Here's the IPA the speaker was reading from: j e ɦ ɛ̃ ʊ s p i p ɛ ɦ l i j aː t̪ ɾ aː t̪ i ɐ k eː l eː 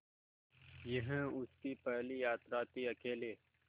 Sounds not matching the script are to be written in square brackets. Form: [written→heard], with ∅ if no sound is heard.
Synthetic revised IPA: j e ɦ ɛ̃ ʊ s [p→k] i p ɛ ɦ l i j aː t̪ ɾ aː t̪ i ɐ k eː l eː